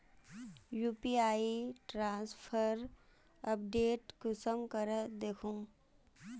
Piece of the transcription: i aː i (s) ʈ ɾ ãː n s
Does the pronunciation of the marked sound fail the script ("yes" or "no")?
yes